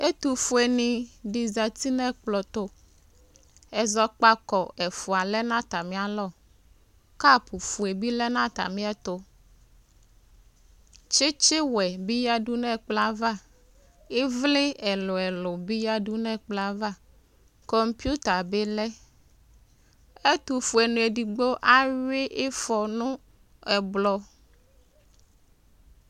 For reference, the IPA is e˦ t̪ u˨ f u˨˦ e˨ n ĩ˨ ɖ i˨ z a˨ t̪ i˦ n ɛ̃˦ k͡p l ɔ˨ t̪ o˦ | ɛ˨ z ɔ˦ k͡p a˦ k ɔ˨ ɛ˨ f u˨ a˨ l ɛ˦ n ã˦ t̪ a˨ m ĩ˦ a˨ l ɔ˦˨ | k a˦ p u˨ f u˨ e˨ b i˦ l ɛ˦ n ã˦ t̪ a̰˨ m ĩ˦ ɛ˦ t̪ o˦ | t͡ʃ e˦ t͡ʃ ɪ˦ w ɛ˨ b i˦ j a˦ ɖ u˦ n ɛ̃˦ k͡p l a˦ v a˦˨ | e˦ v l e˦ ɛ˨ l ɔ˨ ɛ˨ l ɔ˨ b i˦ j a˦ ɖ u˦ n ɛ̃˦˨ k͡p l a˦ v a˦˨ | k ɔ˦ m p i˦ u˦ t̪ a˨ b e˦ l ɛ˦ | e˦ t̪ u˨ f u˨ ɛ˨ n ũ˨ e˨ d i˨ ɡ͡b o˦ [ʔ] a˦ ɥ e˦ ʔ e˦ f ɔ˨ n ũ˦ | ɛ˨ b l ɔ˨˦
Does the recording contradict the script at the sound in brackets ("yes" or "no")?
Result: no